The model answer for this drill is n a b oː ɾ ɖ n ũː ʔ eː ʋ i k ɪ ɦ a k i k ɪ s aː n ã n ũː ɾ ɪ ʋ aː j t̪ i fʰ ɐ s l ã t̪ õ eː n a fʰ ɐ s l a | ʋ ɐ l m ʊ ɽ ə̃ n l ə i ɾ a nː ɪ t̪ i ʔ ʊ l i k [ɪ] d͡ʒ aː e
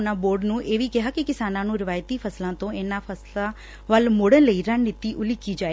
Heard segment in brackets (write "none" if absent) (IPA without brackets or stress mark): i